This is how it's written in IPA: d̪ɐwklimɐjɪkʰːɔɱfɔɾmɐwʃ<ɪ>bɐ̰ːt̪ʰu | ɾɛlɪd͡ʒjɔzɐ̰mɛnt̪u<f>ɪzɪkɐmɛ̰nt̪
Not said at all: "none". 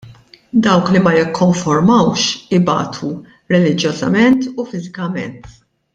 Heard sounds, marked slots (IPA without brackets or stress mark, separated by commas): ɪ, f